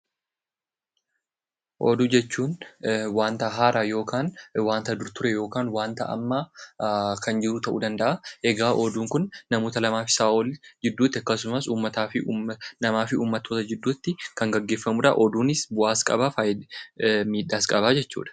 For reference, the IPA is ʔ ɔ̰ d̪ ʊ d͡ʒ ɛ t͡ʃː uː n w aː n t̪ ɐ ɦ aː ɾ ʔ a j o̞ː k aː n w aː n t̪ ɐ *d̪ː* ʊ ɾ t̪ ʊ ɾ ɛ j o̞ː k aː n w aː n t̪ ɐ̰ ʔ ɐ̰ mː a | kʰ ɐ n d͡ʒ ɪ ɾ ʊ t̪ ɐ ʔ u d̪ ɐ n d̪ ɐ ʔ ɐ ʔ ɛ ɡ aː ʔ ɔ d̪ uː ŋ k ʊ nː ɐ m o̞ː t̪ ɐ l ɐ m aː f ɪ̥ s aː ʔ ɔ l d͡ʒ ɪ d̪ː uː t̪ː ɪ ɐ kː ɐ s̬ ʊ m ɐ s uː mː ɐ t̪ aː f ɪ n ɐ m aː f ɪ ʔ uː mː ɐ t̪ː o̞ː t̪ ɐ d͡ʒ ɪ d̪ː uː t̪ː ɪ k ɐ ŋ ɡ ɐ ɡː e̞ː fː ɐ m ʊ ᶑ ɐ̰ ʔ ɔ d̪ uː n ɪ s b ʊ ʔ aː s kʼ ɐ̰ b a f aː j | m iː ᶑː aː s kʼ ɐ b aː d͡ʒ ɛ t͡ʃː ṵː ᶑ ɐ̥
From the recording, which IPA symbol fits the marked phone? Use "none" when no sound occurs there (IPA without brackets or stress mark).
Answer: d̪